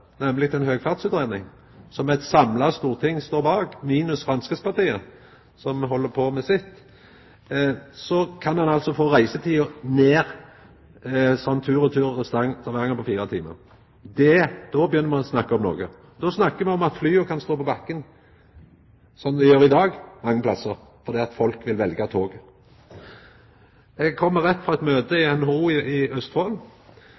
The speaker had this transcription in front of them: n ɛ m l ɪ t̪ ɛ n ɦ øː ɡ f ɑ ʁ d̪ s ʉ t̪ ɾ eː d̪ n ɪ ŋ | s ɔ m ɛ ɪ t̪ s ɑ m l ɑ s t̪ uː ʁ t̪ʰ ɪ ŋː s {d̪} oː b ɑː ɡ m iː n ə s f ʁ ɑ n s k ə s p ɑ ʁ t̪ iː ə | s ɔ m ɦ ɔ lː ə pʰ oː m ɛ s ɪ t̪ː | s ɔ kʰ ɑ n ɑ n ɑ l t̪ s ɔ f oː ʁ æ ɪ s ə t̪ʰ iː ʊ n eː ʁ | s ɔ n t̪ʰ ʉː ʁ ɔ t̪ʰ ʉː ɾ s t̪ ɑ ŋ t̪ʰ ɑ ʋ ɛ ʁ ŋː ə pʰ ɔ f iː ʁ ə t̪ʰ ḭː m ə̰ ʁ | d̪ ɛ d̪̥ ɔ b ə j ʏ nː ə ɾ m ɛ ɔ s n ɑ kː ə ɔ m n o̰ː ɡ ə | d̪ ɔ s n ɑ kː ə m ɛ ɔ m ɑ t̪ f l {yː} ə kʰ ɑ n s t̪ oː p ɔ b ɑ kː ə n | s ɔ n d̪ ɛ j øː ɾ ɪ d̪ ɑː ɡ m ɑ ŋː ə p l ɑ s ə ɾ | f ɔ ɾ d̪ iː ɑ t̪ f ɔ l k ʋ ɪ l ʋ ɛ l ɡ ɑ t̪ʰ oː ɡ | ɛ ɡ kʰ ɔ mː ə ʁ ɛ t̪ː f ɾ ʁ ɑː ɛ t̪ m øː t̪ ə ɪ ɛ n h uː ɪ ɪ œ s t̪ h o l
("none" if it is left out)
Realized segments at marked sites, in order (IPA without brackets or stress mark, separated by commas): t̪, yː